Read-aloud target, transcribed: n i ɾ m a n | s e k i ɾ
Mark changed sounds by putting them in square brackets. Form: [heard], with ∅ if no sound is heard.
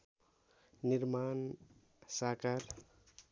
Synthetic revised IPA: n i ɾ m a n | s [a] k [a] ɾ

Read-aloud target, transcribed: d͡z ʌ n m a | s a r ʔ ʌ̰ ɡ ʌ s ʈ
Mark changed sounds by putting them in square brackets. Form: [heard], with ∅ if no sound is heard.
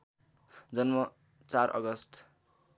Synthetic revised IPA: d͡z ʌ n m [ʌ] | [t͡s] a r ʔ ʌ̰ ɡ ʌ s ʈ

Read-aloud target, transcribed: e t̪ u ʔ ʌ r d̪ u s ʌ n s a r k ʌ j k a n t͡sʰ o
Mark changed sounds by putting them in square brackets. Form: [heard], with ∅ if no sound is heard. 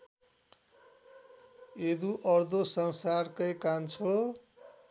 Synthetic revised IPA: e [d̪] u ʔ ʌ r d̪ [o] s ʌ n s a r k ʌ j k a n t͡sʰ o

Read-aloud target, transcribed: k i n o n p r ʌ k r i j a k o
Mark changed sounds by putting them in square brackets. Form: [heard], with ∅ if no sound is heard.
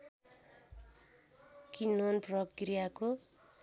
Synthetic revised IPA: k i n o n p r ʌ k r i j a k o

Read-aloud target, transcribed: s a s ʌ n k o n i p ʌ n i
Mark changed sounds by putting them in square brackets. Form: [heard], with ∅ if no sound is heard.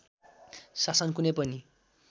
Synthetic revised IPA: s a s ʌ n k [u] n [e] p ʌ n i

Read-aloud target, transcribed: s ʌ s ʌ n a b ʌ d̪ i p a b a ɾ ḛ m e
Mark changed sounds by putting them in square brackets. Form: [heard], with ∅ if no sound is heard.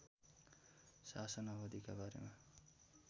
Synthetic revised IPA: s [a] s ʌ n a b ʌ d̪ i [k] a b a ɾ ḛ m [a]

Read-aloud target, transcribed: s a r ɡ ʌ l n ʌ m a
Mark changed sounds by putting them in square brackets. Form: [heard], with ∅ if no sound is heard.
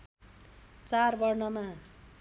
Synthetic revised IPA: [t͡s] a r [b] ʌ [r] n ʌ m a

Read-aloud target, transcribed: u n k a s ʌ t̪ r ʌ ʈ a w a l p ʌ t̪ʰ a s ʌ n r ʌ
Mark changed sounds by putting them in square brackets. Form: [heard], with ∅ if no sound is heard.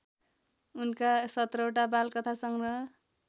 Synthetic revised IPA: u n k a s ʌ t̪ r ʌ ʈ a [b] a l [k] ʌ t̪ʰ a s ʌ [ŋ] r ʌ

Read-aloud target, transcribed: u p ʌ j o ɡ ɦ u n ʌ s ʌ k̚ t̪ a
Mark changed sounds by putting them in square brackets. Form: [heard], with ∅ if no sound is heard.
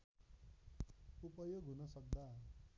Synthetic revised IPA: u p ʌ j o ɡ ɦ u n ʌ s ʌ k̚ [d̪] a

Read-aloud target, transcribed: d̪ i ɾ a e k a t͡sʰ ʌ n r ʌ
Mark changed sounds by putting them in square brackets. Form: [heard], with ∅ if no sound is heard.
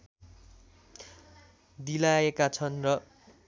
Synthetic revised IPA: d̪ i [l] a e k a t͡sʰ ʌ n r ʌ

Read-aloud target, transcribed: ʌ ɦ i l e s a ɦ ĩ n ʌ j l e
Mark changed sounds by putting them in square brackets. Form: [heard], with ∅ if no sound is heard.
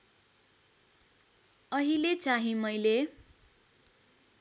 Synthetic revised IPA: ʌ ɦ i l e [t͡s] a ɦ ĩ [m] ʌ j l e

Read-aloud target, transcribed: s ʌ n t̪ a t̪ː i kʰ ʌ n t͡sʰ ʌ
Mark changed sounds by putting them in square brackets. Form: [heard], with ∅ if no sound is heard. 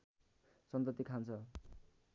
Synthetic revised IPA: s ʌ n t̪ [ʌ] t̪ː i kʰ [a] n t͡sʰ ʌ

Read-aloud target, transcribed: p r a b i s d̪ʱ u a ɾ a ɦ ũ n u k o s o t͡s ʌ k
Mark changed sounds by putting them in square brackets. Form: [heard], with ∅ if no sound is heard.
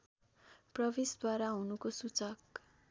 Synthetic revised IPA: p r [ʌ] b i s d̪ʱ [w] a ɾ a ɦ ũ n u k o s [u] t͡s ʌ k

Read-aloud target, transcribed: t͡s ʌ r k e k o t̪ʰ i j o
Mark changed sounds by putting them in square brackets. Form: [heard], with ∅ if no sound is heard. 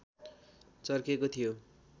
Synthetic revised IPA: t͡s ʌ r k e k o t̪ʰ i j o

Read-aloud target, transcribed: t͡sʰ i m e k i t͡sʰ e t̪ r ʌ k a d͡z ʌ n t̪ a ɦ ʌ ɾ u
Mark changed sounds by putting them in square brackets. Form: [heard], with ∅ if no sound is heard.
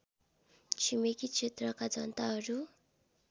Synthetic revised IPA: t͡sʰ i m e k i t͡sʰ e t̪ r ʌ k a d͡z ʌ n t̪ a ɦ ʌ ɾ u

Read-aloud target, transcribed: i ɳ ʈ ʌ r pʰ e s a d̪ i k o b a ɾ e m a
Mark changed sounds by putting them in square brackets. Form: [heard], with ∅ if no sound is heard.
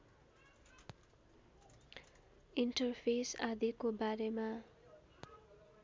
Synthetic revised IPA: i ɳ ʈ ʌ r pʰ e s a d̪ i k o b a ɾ e m a

